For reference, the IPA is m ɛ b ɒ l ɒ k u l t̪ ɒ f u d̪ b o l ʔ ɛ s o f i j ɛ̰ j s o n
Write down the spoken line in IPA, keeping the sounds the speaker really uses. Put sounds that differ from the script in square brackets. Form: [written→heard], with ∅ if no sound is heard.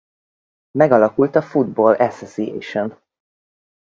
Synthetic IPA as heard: m ɛ [b→ɡ] ɒ l ɒ k u l t̪ ɒ f u d̪ b o l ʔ ɛ s o [f→s] i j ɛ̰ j [s→ʃ] o n